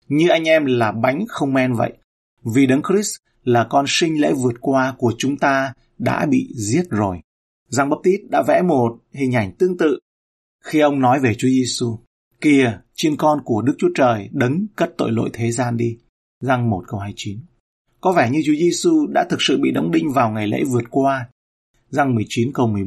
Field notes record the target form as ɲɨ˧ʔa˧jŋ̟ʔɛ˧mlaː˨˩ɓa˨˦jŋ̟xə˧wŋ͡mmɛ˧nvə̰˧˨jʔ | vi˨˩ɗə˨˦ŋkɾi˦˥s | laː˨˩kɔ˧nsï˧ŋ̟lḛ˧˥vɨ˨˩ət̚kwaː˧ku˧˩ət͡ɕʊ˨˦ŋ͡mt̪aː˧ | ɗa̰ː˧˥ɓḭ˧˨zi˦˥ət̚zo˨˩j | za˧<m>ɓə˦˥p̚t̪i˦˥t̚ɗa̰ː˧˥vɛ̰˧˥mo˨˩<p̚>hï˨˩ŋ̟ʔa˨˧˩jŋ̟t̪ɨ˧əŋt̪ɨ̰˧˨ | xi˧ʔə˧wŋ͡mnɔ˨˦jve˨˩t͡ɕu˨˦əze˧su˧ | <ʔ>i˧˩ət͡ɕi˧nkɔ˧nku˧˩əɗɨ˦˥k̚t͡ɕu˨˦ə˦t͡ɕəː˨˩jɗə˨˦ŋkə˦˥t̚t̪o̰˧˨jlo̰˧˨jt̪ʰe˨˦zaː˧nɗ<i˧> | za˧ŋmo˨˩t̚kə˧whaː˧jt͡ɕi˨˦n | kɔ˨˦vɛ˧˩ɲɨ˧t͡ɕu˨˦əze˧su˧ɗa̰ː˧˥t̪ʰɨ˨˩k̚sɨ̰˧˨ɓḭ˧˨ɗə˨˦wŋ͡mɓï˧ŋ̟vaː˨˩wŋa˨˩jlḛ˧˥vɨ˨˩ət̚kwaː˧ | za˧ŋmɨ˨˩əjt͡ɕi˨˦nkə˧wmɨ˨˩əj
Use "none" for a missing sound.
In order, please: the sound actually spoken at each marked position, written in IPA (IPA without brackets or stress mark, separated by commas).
ŋ, t̚, k, i˧